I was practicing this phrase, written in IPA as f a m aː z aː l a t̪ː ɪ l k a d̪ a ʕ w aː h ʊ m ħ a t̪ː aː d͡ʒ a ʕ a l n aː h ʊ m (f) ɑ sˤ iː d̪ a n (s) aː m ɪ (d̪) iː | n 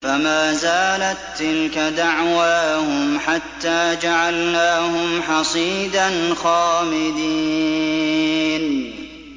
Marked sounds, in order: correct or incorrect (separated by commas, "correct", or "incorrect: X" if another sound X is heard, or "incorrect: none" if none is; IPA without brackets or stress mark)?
incorrect: ħ, incorrect: x, correct